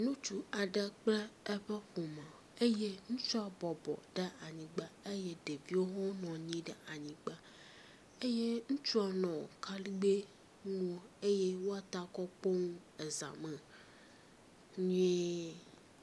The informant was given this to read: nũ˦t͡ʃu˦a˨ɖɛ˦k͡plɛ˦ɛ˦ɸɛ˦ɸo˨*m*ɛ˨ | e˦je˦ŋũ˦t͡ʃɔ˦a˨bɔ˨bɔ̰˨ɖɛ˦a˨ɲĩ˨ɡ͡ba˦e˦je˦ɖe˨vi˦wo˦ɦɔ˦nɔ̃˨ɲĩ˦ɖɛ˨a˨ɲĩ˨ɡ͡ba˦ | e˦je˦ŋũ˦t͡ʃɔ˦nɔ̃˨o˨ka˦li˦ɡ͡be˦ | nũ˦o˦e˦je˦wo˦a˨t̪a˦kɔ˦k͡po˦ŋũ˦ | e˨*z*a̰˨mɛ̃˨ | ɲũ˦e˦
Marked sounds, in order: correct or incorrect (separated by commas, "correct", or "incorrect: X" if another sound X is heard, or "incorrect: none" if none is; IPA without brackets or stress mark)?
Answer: correct, correct